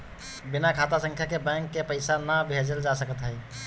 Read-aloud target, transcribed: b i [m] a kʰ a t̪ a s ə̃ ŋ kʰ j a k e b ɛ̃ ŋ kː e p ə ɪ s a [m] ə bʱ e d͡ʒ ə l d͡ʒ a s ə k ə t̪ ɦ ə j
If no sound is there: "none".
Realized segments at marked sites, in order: n, n

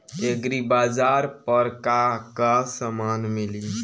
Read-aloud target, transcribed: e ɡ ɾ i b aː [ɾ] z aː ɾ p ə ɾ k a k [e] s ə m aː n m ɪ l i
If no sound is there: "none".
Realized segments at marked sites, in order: none, a

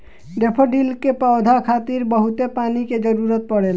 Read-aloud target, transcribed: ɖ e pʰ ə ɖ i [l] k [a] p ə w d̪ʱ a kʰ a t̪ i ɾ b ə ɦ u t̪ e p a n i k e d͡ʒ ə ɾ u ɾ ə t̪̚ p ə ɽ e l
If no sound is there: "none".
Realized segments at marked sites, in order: l, e

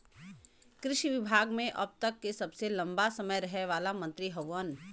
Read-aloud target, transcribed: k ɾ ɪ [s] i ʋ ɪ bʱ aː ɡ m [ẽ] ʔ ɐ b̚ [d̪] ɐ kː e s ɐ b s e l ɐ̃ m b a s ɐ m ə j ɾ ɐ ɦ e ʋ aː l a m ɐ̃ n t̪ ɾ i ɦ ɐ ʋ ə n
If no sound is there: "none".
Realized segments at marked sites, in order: ʃ, ẽ, t̪

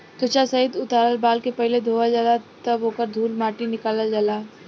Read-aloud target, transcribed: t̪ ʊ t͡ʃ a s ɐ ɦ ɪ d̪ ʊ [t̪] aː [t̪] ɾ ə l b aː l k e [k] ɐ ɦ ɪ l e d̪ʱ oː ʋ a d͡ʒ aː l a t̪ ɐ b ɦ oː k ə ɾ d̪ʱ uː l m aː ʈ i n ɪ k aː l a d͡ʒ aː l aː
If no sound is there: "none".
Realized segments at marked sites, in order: t̪, none, p

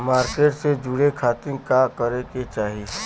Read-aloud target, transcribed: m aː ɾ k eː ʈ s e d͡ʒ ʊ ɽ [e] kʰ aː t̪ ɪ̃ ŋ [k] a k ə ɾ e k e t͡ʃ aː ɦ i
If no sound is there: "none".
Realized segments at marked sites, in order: e, k

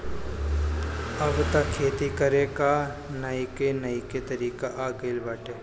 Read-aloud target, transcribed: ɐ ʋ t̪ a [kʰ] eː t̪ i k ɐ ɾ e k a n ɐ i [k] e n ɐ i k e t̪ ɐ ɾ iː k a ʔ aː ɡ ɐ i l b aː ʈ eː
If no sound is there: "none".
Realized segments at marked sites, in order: kʰ, k

